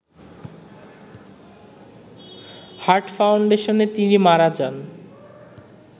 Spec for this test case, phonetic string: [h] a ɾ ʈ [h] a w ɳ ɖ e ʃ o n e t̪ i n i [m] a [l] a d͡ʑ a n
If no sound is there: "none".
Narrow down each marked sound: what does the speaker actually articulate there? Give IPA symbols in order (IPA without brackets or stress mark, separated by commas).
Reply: h, f, m, ɾ